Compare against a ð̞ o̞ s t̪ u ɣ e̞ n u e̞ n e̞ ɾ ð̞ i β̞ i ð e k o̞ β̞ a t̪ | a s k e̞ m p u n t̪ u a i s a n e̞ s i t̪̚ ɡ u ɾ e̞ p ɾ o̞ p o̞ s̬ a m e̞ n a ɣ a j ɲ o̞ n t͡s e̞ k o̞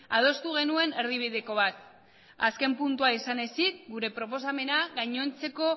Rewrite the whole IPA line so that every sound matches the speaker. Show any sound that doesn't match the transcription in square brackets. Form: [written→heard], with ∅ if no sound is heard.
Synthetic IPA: a ð̞ o̞ s t̪ u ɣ e̞ n u e̞ n e̞ ɾ ð̞ i β̞ i ð e k o̞ β̞ a t̪ | a s k e̞ m p u n t̪ u a i s a n e̞ s i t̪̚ ɡ u ɾ e̞ p ɾ o̞ p o̞ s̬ a m e̞ n a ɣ a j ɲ o̞ n t͡s e̞ k o̞

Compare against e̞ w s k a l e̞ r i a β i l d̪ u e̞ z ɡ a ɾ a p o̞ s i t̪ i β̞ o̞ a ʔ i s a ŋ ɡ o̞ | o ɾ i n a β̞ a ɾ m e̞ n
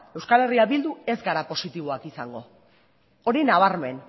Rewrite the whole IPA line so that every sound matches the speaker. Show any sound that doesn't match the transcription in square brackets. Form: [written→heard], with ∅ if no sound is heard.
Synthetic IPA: e̞ w s k a l e̞ r i a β i l d̪ u e̞ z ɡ a ɾ a p o̞ s i t̪ i β̞ o̞ a [ʔ→k] i s a ŋ ɡ o̞ | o ɾ i n a β̞ a ɾ m e̞ n

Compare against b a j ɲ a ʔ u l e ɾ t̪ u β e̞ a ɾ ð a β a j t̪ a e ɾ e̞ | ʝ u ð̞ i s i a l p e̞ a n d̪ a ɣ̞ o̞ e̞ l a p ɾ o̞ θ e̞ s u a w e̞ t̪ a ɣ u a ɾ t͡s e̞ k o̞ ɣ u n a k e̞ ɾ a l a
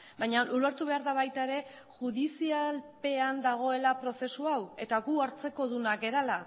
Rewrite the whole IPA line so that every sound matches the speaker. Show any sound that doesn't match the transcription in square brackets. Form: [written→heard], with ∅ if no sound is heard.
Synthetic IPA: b a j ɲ a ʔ u l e ɾ t̪ u β e̞ a ɾ ð a β a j t̪ a e ɾ e̞ | ʝ u ð̞ i s i a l p e̞ a n d̪ a ɣ̞ o̞ e̞ l a p ɾ o̞ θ e̞ s u a w e̞ t̪ a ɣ u a ɾ t͡s e̞ k o̞ [ɣ→ð] u n a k e̞ ɾ a l a

